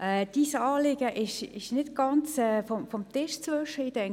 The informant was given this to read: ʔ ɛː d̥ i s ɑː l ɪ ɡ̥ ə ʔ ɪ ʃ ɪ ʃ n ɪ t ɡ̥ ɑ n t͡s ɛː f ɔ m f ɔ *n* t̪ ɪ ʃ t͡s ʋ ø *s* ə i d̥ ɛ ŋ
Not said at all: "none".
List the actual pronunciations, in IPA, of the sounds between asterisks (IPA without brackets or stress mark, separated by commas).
m, ʃ